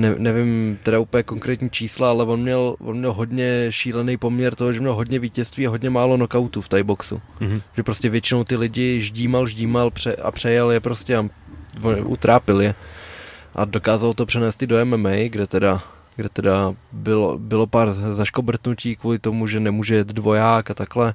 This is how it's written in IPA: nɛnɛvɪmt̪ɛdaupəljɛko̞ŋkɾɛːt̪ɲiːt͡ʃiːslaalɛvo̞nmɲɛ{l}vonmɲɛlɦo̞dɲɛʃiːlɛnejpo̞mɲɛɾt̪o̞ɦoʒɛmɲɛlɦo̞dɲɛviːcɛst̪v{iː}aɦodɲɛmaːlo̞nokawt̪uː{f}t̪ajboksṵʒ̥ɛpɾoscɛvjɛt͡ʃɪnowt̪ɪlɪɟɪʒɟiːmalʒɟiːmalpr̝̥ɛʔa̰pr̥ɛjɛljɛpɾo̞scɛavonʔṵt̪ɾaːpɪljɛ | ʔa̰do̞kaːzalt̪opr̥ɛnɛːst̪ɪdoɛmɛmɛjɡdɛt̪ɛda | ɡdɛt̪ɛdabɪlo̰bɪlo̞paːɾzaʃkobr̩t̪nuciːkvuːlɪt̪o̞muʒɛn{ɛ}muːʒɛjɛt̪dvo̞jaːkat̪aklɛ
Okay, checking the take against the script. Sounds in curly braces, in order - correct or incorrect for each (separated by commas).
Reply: correct, correct, correct, correct